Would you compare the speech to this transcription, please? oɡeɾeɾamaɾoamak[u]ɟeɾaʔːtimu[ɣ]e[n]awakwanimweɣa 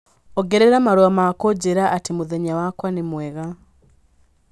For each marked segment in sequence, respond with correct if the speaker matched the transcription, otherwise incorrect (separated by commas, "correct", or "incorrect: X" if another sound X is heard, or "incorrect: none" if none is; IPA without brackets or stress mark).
incorrect: o, incorrect: ð, incorrect: ɲ